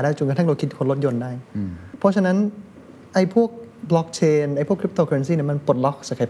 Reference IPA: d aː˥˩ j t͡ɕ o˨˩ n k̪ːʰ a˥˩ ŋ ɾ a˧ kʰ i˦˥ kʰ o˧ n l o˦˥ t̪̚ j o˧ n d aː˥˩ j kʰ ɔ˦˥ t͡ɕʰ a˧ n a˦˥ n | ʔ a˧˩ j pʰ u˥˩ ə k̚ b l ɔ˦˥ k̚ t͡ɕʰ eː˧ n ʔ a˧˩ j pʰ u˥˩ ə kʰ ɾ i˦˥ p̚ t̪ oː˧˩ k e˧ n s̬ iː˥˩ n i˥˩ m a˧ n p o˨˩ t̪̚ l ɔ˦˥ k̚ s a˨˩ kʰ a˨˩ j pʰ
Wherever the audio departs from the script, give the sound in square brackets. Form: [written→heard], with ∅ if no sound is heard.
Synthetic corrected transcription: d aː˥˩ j t͡ɕ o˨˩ n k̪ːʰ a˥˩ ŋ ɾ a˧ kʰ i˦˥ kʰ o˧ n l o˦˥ t̪̚ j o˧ n d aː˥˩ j [kʰ→pʰ] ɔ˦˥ t͡ɕʰ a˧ n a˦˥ n | ʔ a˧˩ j pʰ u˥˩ ə k̚ b l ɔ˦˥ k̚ t͡ɕʰ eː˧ n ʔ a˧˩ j pʰ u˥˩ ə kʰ ɾ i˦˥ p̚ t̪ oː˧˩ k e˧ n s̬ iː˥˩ n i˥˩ m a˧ n p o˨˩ t̪̚ l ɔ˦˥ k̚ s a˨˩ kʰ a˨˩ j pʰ